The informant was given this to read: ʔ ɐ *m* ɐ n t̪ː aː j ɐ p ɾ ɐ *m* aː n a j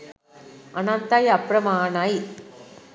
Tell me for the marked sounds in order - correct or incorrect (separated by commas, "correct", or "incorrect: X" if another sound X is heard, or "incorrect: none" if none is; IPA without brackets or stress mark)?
incorrect: n, correct